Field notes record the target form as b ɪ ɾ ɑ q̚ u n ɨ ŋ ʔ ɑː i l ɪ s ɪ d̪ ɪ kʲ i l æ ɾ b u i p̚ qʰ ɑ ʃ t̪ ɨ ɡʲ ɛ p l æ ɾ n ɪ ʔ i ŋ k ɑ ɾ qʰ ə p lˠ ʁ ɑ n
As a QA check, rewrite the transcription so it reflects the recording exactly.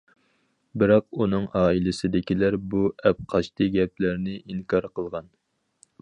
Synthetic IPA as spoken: b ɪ ɾ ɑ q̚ u n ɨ ŋ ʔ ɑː i l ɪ s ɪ d̪ ɪ kʲ i l æ ɾ b u ɛ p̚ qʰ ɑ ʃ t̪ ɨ ɡʲ ɛ p l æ ɾ n ɪ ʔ i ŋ k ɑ ɾ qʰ ə lˠ ʁ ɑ n